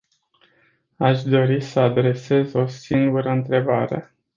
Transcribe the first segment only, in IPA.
a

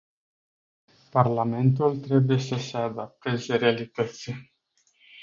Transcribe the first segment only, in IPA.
p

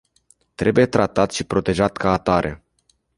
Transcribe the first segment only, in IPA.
t̪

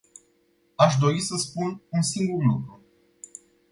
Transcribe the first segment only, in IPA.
a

